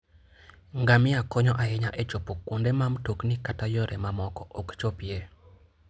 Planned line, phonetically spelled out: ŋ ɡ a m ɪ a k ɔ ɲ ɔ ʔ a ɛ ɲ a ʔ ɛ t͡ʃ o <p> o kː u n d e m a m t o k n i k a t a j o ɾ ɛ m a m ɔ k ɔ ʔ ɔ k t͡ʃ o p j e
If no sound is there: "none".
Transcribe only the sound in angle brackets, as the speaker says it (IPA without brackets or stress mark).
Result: p